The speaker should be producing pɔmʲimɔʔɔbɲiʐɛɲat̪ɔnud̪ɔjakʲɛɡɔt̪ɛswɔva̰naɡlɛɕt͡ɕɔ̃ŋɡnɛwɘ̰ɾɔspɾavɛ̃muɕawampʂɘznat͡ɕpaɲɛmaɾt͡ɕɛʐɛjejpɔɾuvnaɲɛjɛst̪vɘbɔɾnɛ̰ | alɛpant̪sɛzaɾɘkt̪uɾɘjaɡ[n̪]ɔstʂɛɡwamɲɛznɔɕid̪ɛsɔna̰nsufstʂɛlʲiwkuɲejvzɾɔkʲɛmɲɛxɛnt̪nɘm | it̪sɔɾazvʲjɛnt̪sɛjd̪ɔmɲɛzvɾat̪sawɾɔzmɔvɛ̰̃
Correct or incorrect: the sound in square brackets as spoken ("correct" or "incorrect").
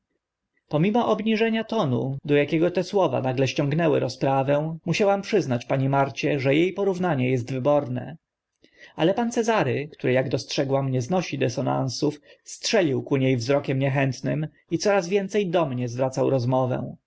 incorrect